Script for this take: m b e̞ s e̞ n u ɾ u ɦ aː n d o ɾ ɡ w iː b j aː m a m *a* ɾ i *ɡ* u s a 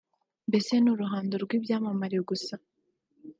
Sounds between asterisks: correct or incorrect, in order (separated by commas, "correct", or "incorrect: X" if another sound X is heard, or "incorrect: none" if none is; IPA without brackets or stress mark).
correct, correct